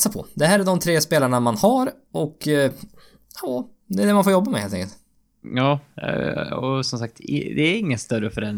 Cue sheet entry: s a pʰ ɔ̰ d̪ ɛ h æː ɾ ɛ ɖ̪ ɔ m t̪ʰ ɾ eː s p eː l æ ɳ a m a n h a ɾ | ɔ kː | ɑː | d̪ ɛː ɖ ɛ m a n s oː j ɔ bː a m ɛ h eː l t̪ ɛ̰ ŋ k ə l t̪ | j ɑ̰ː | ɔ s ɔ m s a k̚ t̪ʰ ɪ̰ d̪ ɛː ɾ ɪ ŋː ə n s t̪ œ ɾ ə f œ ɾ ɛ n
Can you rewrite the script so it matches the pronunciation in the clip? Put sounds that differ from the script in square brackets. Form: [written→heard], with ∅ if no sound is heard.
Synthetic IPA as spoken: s a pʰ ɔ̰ d̪ ɛ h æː ɾ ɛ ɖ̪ ɔ m t̪ʰ ɾ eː s p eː l [æ→a] ɳ a m a n h a ɾ | ɔ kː | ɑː | d̪ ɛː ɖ ɛ m a n [s→f] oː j ɔ bː a m ɛ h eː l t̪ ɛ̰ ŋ k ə l t̪ | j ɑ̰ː | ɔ s ɔ m s a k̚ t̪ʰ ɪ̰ d̪ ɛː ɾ ɪ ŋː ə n s t̪ œ ɾ ə f œ ɾ ɛ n